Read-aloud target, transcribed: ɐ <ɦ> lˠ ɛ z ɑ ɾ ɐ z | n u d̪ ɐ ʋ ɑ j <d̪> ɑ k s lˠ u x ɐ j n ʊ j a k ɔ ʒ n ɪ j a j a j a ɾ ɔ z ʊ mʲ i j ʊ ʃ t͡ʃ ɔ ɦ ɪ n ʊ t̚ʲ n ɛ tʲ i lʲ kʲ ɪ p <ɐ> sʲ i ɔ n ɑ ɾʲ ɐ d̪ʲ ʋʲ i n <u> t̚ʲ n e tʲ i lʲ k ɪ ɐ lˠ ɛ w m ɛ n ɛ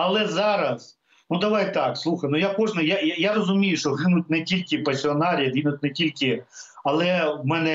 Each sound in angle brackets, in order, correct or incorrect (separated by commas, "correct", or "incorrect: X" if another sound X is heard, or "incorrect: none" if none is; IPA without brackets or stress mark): incorrect: none, incorrect: t̪, correct, incorrect: ʊ